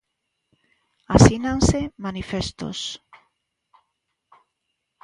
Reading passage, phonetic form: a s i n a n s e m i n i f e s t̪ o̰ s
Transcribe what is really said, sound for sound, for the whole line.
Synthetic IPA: a s i n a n s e m a n i f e s t̪ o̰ s